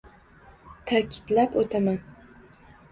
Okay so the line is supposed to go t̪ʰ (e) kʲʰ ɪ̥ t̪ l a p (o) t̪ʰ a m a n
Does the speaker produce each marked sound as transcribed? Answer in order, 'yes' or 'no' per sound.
no, yes

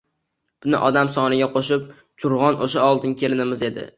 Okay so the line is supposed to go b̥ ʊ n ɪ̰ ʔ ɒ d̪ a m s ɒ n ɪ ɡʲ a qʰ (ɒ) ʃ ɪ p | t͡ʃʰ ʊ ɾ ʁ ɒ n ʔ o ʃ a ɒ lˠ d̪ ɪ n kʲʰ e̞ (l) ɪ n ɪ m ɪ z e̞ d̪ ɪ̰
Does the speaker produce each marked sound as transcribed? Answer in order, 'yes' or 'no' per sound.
no, yes

